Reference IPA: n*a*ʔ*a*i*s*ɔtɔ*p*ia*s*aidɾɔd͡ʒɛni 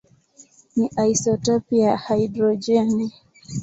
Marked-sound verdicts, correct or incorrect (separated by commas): incorrect, correct, correct, correct, incorrect